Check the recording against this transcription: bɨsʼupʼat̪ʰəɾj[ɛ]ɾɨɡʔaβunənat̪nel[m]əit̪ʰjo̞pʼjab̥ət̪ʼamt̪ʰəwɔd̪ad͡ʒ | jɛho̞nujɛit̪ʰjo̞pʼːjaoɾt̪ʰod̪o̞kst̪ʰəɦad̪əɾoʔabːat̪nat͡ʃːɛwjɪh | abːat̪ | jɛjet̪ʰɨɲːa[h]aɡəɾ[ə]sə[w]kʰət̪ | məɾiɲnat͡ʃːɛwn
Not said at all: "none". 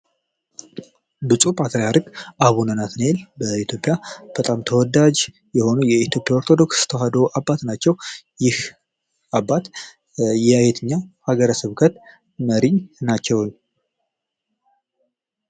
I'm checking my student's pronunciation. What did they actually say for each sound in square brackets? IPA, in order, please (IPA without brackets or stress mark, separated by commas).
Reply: a, b, h, ə, β